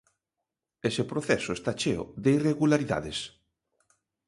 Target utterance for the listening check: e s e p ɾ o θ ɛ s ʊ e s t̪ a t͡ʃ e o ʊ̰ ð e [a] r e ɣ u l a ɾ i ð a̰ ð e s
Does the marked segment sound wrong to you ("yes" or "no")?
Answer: yes